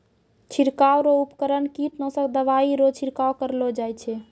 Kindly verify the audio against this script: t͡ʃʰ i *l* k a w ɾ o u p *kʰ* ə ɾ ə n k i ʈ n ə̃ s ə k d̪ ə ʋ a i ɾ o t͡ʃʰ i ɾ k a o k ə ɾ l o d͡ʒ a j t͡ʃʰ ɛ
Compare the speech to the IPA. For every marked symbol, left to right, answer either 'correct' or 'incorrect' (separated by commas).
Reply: incorrect, incorrect